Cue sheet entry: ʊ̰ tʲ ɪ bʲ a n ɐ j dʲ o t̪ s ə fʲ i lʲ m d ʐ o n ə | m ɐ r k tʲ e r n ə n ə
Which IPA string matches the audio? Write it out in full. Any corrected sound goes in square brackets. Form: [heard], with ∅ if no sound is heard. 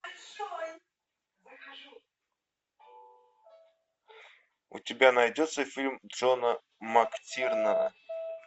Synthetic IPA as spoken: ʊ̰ tʲ ɪ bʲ a n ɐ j dʲ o t̪ s ə fʲ i lʲ m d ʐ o n ə | m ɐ [∅] k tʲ [i] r n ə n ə